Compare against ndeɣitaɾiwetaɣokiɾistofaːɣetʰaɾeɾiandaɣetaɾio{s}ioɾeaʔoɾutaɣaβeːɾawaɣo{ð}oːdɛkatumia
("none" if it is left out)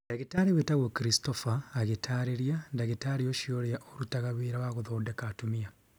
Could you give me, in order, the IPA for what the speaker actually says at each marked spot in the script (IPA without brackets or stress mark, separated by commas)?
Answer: ʃ, ð